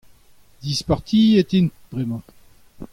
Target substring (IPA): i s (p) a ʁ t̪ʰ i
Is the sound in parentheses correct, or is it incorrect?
correct